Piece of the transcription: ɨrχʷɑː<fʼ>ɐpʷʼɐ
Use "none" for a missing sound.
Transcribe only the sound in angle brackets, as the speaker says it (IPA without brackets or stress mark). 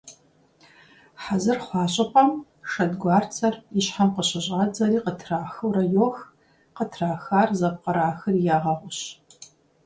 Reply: ɕʼ